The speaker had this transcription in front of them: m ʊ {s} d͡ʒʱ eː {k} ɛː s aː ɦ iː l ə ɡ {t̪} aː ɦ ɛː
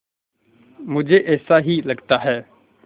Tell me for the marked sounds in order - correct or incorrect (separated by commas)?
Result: incorrect, incorrect, correct